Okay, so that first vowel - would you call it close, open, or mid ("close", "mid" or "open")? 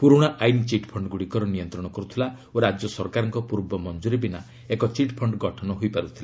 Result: close